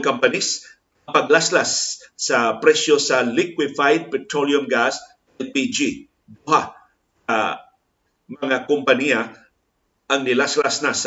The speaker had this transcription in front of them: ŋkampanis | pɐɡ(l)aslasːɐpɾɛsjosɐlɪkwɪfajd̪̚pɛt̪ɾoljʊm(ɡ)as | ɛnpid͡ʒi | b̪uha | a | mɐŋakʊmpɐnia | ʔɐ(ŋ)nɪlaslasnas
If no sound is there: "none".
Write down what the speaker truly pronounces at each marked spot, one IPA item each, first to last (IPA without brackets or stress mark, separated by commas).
l, ɡ, ŋ